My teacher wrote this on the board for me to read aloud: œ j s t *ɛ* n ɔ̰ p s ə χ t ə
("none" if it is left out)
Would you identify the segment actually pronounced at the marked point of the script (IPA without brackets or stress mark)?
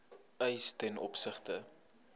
ɛ